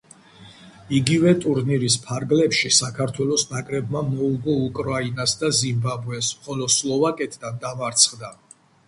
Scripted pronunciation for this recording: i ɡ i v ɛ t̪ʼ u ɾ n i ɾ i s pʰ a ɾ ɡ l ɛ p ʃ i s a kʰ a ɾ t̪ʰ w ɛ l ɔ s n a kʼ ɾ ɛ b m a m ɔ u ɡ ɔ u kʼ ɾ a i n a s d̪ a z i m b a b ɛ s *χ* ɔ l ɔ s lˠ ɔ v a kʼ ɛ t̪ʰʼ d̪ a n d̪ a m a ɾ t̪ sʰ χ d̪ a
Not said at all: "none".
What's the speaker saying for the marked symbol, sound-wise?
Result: χ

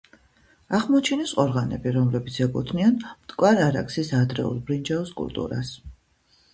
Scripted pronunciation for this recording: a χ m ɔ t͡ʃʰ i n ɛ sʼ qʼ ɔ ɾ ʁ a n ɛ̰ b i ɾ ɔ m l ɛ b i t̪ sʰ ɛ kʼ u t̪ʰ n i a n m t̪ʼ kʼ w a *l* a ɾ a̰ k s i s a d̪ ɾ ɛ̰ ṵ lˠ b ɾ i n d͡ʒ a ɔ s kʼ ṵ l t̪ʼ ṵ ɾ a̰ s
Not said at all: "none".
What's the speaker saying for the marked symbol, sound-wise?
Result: ɾ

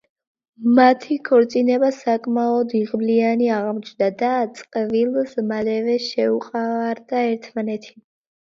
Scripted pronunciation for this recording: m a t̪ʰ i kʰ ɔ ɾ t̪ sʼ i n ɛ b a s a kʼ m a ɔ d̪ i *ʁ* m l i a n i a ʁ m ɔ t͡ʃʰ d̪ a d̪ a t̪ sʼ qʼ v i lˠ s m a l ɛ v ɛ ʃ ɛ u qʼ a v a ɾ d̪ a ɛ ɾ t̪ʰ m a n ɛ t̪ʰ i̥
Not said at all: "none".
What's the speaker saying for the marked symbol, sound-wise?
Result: ʁ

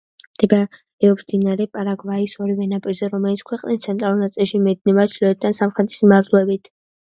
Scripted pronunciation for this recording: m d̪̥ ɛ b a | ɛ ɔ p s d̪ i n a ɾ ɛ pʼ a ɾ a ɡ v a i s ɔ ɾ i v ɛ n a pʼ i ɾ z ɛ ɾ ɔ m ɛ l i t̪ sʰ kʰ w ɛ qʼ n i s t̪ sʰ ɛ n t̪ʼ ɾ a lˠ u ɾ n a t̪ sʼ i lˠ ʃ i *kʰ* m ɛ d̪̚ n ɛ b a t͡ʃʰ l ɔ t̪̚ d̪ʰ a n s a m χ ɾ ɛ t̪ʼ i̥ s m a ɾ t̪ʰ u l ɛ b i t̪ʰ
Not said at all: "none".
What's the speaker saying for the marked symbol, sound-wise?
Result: none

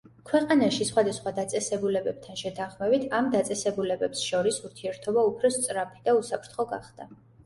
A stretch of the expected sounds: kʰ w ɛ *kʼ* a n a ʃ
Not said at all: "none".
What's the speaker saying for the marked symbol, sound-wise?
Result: qʼ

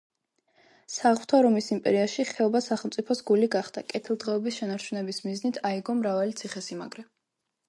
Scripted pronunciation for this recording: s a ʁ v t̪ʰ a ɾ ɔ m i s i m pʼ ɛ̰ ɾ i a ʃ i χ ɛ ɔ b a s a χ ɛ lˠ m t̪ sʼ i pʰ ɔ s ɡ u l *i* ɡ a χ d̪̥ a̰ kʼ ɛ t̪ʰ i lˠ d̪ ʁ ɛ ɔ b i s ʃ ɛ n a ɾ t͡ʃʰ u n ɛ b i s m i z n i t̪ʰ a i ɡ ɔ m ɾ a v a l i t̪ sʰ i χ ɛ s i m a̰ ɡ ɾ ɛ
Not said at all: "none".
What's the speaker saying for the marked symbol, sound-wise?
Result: i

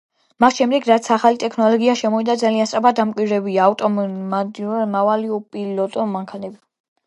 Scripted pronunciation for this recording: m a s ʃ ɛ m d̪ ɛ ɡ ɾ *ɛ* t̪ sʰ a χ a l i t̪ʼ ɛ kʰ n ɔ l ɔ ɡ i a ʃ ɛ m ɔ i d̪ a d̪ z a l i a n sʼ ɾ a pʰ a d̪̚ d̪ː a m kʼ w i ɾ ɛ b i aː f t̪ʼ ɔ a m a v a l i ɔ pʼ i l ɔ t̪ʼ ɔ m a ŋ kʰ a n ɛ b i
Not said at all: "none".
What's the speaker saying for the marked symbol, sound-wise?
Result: a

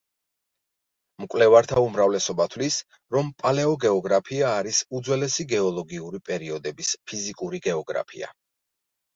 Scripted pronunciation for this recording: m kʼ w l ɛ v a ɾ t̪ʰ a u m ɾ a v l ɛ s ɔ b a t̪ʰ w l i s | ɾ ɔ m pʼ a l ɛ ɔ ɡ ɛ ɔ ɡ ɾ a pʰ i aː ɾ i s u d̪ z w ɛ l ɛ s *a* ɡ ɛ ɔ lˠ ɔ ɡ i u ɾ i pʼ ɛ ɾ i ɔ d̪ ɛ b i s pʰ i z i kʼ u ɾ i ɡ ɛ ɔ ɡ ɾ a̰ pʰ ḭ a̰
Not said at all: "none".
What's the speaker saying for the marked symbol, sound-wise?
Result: i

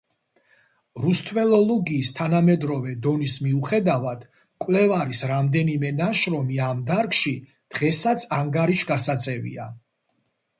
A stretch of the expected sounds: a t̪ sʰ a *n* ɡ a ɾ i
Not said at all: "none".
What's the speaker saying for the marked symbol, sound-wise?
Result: ŋ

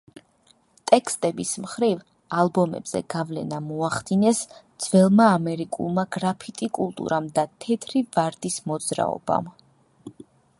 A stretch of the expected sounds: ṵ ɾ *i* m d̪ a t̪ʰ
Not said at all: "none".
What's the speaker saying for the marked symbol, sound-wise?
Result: a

